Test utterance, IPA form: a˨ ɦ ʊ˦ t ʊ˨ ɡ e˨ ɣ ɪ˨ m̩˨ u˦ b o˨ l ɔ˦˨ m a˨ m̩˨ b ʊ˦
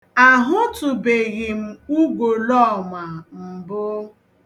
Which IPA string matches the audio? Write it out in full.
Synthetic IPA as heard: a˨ ɦ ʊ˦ t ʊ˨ b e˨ ɣ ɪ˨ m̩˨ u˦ ɡ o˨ l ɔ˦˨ m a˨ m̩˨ b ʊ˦

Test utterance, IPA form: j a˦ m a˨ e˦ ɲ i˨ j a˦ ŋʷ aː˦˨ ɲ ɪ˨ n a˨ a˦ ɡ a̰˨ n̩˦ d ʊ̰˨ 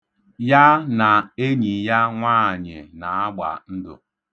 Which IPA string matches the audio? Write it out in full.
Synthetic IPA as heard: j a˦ n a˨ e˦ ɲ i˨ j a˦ ŋʷ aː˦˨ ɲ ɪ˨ n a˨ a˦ ɡ͡b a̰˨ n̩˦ d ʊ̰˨

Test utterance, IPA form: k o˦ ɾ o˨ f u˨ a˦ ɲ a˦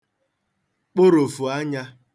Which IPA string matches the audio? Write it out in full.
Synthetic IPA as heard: k͡p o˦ ɾ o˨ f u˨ a˦ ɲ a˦

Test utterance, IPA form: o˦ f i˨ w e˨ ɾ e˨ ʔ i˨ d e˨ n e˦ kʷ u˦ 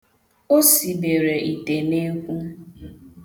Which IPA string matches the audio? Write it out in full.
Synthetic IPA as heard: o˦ s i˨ b e˨ ɾ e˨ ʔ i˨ t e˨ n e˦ kʷ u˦

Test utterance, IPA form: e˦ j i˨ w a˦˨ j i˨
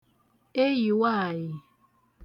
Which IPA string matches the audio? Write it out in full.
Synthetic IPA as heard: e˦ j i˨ w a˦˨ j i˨

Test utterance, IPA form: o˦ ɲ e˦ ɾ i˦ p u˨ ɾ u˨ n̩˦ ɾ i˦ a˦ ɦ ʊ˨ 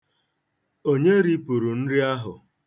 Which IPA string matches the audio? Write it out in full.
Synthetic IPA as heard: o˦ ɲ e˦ ɾ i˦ p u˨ ɾ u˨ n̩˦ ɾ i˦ a˦ ɦ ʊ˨

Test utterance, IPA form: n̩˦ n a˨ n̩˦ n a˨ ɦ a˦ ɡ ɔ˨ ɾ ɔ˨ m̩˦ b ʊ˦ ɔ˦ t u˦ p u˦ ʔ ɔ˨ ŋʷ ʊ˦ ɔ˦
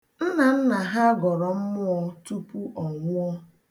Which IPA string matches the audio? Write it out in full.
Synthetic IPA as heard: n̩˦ n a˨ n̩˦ n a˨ ɦ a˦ ɡ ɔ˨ ɾ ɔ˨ m̩˦ m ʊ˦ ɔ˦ t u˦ p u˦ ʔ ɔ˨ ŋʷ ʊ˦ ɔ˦

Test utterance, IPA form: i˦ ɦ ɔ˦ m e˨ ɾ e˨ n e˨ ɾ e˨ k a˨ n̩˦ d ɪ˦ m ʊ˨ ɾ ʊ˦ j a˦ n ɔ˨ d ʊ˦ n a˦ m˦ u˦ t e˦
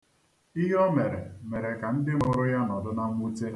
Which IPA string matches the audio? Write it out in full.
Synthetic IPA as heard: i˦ ɦ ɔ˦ m e˨ ɾ e˨ m e˨ ɾ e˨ k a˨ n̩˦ d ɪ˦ m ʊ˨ ɾ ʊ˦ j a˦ n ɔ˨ d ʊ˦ n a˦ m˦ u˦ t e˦

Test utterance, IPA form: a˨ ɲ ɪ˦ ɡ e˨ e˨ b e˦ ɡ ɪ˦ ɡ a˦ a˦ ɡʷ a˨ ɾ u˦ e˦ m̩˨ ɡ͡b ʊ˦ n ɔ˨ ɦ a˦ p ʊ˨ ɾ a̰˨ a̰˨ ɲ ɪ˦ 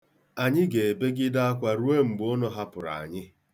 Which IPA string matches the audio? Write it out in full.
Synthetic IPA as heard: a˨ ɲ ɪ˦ ɡ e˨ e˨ b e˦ ɡ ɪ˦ d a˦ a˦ kʷ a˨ ɾ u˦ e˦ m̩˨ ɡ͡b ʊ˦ n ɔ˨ ɦ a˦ p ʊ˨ ɾ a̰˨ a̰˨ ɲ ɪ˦

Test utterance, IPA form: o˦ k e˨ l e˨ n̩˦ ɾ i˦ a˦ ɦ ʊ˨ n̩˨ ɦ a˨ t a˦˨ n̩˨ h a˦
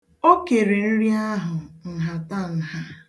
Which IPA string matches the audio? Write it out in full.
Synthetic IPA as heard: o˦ k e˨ ɾ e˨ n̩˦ ɾ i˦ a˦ ɦ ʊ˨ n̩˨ ɦ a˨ t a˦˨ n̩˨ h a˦

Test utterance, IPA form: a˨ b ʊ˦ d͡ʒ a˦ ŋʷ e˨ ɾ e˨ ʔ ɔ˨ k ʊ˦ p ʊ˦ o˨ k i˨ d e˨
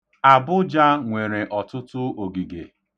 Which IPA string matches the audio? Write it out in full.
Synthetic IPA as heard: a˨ b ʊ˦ d͡ʒ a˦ ŋʷ e˨ ɾ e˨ ʔ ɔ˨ t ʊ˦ t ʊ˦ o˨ ɡ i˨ ɡ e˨

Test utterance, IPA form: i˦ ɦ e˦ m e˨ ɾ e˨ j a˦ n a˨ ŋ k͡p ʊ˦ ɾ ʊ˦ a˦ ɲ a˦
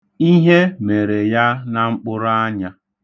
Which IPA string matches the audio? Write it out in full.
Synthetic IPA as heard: i˦ ɦ e˦ m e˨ ɾ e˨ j a˦ n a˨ ŋ͡m̩ k͡p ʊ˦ ɾ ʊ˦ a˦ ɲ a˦

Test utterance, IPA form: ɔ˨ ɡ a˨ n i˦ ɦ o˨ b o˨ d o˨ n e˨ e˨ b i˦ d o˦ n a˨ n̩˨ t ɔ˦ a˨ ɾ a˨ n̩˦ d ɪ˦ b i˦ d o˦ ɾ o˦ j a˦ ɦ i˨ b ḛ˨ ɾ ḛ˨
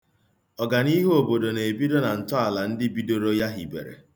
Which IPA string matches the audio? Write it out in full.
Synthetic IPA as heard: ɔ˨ ɡ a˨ n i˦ ɦ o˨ b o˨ d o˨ n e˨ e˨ b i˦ d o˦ n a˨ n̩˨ t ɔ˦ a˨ l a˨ n̩˦ d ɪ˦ b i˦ d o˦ ɾ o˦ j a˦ ɦ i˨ b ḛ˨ ɾ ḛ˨

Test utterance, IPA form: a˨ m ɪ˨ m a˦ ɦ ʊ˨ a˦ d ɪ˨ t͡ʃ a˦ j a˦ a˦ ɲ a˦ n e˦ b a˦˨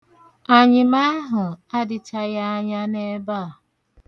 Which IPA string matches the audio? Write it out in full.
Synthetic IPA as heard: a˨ ɲ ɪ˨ m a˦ ɦ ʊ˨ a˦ d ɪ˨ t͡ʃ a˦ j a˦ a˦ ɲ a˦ n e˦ b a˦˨

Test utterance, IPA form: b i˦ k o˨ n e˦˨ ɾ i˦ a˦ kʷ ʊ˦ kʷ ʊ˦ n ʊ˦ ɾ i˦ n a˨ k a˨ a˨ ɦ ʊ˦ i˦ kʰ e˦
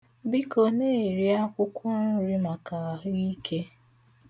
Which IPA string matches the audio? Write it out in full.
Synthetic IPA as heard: b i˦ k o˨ n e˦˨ ɾ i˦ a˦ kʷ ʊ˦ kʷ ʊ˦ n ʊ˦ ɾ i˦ m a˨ k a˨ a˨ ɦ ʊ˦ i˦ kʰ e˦

